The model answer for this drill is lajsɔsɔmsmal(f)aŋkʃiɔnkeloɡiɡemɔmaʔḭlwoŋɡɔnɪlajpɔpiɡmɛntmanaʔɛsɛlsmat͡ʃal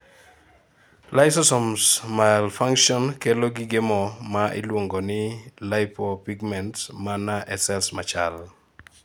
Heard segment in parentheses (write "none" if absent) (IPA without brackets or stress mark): f